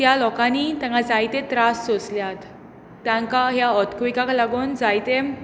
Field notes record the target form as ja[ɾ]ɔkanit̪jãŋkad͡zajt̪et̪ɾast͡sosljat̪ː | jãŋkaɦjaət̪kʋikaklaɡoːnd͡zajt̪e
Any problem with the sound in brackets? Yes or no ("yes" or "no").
yes